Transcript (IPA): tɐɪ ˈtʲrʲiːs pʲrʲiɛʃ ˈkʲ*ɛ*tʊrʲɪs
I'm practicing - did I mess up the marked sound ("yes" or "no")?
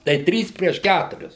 yes